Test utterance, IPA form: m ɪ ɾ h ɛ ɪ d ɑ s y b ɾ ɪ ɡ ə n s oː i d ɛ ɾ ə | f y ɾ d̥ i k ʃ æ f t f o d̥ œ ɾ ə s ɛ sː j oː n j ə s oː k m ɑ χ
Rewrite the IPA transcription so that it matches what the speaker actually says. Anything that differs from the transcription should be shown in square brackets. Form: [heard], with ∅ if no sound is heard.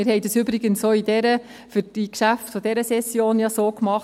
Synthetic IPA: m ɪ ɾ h ɛ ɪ d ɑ s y b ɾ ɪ ɡ ə n s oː i d ɛ ɾ ə | f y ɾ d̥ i k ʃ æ f t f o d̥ [ɛ] ɾ ə s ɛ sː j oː n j [ɑ] s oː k m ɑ χ